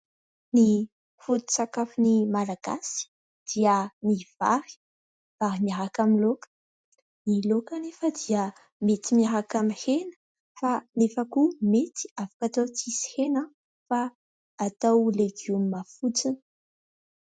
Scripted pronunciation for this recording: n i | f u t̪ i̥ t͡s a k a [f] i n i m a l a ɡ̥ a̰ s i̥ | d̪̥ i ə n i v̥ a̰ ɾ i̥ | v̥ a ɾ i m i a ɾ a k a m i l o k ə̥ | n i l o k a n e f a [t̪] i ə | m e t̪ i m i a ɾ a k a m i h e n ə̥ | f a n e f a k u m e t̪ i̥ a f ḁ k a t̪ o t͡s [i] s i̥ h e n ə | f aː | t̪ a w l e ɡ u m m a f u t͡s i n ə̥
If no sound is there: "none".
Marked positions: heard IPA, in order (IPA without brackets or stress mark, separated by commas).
f, d̪, i